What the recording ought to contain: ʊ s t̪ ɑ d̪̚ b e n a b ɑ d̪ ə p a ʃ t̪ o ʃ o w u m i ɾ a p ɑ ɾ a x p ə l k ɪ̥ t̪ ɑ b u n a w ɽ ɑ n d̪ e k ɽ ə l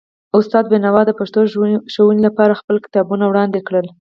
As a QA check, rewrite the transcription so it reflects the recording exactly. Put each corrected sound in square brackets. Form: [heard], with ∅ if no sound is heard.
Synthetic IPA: ʊ s t̪ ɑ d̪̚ b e n a [w] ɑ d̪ ə p a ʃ t̪ o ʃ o w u [n] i [l] a p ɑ ɾ a x p ə l k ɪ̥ t̪ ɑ b u n a w ɽ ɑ n d̪ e k ɽ ə l